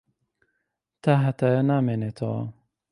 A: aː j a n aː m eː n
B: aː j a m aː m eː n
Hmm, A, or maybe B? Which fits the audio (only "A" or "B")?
A